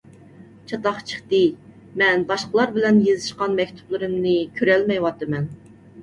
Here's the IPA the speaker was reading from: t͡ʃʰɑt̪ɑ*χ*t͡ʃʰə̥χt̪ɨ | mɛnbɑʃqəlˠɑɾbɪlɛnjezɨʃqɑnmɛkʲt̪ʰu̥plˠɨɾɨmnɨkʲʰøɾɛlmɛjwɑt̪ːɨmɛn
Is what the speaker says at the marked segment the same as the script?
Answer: yes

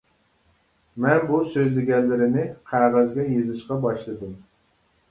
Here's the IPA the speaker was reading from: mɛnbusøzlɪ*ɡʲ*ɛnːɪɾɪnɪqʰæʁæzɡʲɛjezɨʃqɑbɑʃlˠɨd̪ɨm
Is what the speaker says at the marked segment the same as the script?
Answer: yes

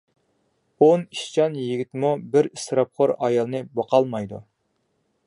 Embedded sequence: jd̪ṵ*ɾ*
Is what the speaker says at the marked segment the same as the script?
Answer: no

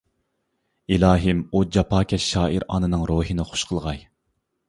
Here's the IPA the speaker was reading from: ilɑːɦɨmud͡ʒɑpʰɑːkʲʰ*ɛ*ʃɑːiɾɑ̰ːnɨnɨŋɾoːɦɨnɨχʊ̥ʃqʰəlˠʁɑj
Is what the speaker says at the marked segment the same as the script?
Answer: yes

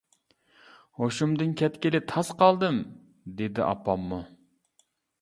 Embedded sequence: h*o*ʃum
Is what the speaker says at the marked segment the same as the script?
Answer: yes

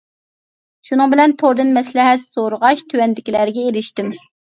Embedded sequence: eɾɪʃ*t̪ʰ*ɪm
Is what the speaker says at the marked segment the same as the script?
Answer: no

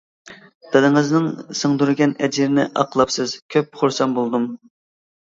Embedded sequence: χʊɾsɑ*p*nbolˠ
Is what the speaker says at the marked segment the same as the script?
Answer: no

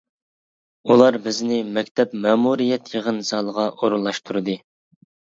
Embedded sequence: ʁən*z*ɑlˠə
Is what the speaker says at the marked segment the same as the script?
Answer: yes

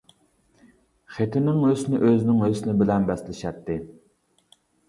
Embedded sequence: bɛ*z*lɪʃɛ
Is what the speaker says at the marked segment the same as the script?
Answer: no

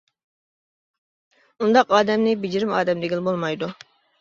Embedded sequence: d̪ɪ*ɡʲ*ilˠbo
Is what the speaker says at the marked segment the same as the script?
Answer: yes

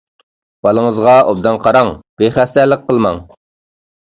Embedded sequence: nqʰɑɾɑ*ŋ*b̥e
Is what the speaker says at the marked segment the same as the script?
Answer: yes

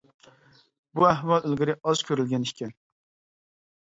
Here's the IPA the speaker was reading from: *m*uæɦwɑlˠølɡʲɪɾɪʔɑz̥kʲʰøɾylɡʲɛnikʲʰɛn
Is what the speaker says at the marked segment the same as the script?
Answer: no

